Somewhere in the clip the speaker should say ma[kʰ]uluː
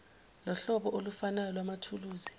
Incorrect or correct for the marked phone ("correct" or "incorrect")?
incorrect